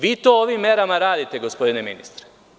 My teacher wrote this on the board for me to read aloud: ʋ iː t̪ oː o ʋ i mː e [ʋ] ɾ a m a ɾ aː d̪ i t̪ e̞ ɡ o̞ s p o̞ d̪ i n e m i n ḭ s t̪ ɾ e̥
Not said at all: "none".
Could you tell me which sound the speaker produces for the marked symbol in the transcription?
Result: none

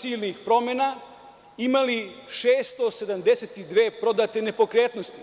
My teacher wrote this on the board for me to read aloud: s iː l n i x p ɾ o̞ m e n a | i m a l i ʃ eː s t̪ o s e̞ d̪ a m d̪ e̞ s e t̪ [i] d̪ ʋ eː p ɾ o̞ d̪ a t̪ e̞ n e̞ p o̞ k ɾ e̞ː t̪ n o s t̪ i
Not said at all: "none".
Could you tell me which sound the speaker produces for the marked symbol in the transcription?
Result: i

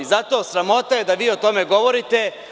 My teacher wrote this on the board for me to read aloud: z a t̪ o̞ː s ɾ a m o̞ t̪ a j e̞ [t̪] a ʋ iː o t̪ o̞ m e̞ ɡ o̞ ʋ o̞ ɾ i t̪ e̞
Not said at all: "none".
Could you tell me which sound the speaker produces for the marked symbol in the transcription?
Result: d̪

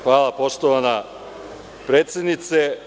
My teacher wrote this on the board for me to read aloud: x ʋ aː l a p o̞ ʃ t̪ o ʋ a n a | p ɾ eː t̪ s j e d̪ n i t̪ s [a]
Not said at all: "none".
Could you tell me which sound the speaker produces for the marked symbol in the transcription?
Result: e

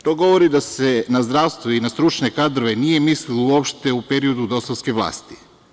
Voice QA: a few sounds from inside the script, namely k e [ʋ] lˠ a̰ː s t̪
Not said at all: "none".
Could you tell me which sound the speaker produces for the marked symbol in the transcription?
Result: ʋ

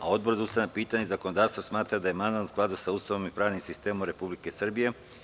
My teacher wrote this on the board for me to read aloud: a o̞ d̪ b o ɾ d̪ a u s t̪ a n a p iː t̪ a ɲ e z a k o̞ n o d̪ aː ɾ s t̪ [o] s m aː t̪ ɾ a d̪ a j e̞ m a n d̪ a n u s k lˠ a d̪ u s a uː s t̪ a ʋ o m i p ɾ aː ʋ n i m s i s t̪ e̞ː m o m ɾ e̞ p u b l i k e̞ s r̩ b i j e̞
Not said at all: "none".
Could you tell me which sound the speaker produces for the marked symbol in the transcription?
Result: o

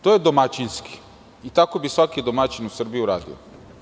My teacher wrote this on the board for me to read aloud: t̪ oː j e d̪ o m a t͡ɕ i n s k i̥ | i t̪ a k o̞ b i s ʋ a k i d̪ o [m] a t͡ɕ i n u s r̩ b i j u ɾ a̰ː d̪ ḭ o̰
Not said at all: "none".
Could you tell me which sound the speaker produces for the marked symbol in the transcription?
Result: m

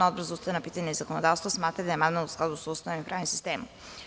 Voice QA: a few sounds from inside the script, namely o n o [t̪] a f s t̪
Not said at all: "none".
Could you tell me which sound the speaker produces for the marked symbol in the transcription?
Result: d̪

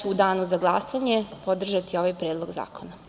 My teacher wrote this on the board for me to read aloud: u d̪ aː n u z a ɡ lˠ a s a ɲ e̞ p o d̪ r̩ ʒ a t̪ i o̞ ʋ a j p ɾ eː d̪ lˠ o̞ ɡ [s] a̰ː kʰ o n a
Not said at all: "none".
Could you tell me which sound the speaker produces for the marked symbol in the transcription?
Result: z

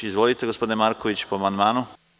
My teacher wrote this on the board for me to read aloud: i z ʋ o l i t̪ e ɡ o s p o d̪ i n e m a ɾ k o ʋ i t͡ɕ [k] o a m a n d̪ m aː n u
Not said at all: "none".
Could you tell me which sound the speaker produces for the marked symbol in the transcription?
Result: p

